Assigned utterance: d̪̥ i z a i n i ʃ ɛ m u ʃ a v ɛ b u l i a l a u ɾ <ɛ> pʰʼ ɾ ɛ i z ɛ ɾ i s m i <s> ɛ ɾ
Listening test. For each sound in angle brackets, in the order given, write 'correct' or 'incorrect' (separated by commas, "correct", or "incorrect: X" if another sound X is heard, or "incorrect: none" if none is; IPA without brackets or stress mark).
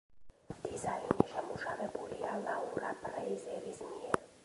incorrect: a, incorrect: none